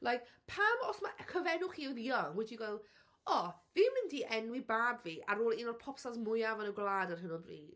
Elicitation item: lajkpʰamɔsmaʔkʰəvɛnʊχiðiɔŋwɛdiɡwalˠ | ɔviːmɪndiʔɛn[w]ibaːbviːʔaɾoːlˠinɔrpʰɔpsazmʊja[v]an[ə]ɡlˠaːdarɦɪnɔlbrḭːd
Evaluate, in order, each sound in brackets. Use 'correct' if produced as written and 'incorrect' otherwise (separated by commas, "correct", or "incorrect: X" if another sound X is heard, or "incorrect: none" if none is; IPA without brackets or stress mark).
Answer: correct, correct, correct